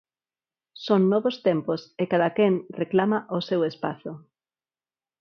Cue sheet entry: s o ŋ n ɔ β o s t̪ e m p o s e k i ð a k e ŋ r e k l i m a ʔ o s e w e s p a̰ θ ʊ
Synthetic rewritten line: s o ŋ n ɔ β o s t̪ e m p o s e k a ð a k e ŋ r e k l a m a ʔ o s e w e s p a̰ θ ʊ